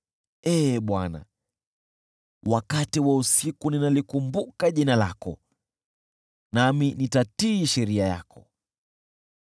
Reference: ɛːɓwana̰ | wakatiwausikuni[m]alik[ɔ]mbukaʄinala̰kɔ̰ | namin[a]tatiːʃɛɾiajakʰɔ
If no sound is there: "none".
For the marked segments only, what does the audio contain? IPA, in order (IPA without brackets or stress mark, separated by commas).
n, u, i